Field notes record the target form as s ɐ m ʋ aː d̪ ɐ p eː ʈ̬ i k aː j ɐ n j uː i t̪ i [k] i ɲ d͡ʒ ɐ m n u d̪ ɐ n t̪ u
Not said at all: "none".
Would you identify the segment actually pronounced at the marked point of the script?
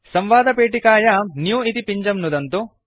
p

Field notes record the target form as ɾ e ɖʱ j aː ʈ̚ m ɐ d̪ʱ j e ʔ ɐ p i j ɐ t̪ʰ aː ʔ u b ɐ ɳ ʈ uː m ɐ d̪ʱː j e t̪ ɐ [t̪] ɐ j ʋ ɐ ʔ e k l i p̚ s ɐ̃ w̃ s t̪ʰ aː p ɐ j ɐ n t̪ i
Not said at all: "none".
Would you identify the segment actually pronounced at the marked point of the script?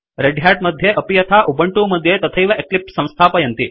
t̪ʰ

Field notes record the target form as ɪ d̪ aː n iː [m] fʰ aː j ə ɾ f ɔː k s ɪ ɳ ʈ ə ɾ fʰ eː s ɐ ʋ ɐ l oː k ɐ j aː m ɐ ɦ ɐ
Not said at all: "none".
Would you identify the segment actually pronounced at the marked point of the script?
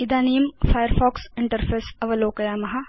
m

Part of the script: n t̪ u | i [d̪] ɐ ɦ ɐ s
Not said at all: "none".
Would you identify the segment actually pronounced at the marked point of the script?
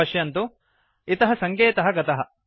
t̪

